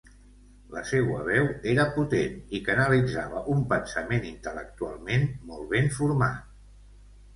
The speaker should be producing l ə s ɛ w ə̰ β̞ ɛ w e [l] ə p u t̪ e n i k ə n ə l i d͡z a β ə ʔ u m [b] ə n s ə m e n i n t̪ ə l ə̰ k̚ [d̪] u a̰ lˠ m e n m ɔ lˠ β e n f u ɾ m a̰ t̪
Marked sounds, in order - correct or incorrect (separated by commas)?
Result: incorrect, incorrect, incorrect